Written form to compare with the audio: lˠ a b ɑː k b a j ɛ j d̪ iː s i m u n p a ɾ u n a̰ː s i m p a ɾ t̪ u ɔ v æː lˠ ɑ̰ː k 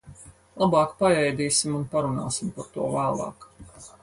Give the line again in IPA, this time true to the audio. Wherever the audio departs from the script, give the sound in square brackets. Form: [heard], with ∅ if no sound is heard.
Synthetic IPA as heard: lˠ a b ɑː k [p] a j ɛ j d̪ iː s i m u n p a ɾ u n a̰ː s i m p a ɾ t̪ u ɔ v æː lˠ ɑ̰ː k